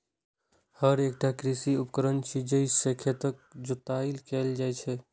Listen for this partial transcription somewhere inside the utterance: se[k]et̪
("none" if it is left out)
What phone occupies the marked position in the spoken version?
kʰ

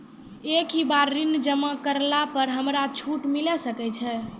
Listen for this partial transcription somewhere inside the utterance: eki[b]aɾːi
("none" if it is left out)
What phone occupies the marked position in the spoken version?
b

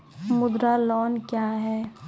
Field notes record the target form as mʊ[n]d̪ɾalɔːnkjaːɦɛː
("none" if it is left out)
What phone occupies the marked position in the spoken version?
none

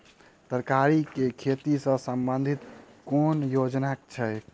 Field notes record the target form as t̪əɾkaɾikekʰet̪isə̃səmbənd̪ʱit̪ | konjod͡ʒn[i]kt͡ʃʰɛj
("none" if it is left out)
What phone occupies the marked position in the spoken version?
a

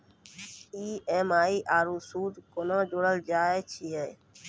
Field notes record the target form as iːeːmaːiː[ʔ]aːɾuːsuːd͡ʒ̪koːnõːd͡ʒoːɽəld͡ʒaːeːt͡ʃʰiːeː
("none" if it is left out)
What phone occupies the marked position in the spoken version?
ʔ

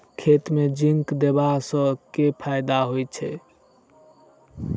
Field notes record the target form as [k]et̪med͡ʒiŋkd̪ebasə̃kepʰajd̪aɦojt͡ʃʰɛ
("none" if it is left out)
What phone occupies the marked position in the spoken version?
kʰ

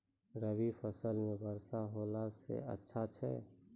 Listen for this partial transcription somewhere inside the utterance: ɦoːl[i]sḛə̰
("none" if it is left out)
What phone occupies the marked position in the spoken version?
a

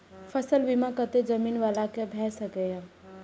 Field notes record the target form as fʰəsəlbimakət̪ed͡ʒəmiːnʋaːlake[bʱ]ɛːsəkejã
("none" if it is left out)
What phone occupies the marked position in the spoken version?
bʱ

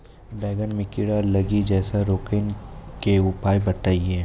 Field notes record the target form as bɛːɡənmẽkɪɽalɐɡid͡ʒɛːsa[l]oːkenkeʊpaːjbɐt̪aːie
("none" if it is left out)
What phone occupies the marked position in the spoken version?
ɾ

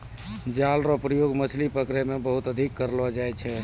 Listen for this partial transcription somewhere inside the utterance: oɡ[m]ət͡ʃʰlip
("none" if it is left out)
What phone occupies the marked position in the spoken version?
m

